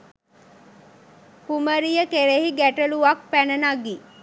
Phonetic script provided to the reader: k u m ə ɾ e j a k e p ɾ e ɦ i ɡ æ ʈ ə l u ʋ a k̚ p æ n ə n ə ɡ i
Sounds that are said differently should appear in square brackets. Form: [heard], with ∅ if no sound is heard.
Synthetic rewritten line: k u m ə ɾ [i] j [ə] k e [∅] ɾ e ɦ i ɡ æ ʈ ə l u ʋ a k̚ p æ n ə n [a] ɡ i